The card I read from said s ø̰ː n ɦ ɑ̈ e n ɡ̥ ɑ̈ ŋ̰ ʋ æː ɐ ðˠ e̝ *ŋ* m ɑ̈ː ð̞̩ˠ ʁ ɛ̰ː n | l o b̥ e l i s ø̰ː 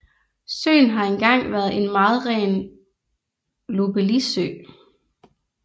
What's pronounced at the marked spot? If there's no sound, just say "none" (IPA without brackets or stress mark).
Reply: n